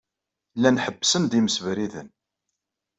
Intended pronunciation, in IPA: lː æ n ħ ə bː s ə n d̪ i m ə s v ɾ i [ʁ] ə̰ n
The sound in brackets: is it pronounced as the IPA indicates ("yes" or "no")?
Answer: no